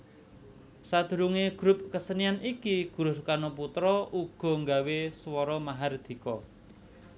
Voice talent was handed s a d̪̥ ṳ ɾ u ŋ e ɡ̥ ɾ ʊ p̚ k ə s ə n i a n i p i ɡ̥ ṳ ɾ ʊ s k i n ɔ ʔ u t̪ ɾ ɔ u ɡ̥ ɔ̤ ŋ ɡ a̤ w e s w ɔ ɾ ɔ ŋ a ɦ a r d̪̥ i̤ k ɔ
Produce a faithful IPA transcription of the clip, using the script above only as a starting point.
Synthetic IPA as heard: s a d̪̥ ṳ ɾ u ŋ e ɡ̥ ɾ ʊ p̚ k ə s ə n i a n i k i ɡ̥ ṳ ɾ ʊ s k a n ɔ p u t̪ ɾ ɔ u ɡ̥ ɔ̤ ŋ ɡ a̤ w e s w ɔ ɾ ɔ m a ɦ a r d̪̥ i̤ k ɔ